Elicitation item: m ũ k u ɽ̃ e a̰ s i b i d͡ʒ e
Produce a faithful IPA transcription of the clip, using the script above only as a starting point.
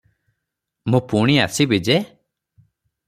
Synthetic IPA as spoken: m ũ p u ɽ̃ i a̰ s i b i d͡ʒ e